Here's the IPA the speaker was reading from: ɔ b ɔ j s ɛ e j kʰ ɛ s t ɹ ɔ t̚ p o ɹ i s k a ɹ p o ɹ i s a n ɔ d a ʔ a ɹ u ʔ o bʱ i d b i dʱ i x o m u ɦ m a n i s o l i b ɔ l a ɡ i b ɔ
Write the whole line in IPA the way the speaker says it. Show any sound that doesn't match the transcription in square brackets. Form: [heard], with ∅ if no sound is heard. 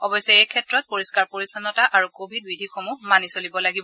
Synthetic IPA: ɔ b ɔ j s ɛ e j kʰ ɛ [∅] t ɹ ɔ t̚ p o ɹ i s k a ɹ p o ɹ i s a n ɔ [t] a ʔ a ɹ u [k] o bʱ i d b i dʱ i x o m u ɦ m a n i s o l i b ɔ l a ɡ i b ɔ